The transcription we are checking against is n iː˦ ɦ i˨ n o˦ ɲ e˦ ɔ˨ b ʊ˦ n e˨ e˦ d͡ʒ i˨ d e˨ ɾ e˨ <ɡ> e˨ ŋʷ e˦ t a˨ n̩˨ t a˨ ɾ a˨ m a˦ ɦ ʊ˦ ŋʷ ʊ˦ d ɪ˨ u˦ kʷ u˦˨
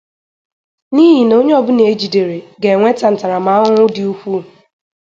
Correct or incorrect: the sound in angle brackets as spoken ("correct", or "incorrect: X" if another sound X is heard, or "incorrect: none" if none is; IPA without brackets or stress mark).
correct